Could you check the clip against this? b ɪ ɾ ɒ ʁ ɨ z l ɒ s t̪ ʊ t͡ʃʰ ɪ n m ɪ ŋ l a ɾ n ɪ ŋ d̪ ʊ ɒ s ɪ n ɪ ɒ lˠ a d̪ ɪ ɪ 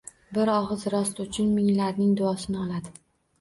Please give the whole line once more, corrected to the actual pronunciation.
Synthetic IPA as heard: b ɪ ɾ ɒ ʁ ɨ z ɾ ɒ s t̪ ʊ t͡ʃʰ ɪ n m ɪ ŋ l a ɾ n ɪ ŋ d̪ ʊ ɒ s ɪ n ɪ ɒ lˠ a d̪ ɪ ɪ